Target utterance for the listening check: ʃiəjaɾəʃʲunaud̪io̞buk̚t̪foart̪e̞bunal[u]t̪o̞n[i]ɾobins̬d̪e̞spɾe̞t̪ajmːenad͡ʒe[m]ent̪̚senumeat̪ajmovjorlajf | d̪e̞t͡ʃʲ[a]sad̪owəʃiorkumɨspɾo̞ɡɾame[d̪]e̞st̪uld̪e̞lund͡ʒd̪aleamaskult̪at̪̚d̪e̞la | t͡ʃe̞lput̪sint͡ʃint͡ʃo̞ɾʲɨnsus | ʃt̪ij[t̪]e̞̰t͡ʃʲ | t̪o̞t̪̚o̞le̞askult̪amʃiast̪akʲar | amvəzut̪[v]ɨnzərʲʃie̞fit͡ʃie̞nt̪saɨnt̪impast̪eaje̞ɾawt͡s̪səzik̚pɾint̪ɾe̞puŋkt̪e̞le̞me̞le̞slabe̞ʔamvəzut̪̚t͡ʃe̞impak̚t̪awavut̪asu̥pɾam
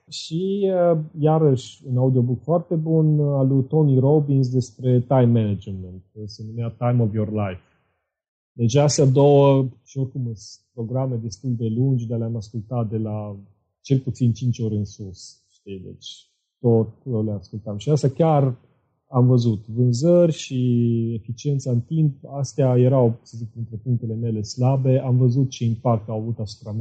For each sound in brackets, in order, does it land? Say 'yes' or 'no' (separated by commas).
yes, yes, yes, yes, yes, no, yes